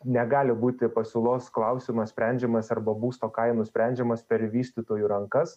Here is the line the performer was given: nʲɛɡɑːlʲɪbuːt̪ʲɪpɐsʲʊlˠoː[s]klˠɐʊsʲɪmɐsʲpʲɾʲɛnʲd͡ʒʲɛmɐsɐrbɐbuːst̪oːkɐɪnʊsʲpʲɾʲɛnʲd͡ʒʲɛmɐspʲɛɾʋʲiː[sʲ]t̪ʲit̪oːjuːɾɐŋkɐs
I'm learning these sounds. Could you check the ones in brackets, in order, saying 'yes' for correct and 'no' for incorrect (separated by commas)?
yes, yes